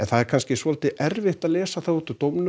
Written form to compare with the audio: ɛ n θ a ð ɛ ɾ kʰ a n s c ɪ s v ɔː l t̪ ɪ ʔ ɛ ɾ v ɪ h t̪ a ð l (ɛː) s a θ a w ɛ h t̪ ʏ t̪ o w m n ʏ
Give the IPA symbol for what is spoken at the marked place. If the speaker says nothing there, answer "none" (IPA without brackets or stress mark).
ɛː